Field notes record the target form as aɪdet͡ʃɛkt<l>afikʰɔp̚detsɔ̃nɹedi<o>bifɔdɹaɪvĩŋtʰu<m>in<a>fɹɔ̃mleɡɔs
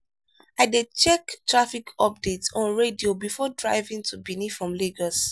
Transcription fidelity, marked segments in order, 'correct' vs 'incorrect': incorrect, correct, incorrect, incorrect

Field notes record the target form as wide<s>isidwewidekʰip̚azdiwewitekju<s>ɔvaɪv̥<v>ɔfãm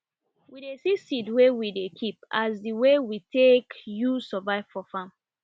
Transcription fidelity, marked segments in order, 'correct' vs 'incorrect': correct, correct, incorrect

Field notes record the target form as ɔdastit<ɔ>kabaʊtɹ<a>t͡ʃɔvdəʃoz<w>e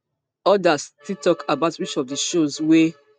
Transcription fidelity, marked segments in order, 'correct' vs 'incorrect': correct, incorrect, correct

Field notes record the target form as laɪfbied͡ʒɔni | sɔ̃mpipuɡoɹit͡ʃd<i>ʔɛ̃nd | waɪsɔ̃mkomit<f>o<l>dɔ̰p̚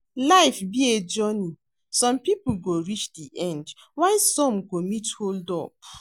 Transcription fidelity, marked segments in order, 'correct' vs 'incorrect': correct, incorrect, correct

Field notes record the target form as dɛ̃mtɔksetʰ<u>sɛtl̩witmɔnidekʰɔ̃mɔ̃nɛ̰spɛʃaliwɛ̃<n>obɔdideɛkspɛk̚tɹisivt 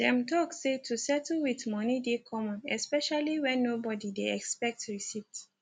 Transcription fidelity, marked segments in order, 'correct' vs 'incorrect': correct, incorrect

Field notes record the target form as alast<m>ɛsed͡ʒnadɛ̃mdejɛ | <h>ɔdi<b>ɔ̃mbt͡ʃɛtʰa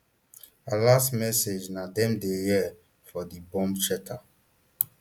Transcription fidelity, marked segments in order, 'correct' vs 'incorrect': correct, incorrect, correct

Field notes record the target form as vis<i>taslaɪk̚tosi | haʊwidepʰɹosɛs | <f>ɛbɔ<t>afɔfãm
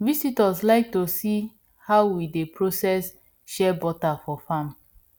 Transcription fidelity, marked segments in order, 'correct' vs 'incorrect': correct, incorrect, correct

